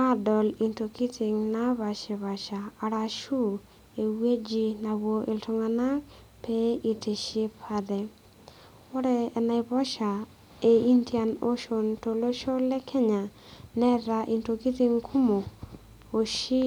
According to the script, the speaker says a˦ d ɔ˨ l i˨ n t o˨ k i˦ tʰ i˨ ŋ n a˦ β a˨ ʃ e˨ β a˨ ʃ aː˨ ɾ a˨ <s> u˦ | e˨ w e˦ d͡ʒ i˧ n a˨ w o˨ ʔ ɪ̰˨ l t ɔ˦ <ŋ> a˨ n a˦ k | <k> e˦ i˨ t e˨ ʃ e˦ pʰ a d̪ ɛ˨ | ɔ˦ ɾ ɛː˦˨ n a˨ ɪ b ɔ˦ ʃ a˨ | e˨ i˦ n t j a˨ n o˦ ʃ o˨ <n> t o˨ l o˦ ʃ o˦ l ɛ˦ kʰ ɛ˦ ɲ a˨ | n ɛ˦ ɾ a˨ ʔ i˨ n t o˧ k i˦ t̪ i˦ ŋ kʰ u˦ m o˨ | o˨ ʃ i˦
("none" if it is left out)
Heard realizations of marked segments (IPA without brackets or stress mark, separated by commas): ʃ, ŋ, p, n